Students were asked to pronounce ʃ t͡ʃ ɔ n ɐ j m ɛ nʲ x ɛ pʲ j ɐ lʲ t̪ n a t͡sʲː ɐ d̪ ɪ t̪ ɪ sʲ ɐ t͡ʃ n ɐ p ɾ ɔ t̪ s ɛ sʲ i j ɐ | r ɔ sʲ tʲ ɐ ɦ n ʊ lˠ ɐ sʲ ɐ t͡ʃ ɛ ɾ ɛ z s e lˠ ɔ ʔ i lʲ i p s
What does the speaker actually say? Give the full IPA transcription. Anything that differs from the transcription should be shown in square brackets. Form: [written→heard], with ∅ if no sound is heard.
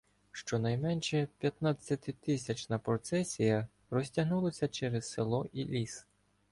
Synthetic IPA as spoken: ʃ t͡ʃ ɔ n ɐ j m ɛ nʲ [x→ʃ] ɛ pʲ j ɐ [lʲ→∅] t̪ n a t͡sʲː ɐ [d̪→t̪] ɪ t̪ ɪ sʲ ɐ t͡ʃ n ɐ p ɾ ɔ t̪ s ɛ sʲ i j ɐ | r ɔ sʲ tʲ ɐ ɦ n [ʊ→u] lˠ ɐ sʲ ɐ t͡ʃ ɛ ɾ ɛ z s e lˠ ɔ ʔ i lʲ i [p→∅] s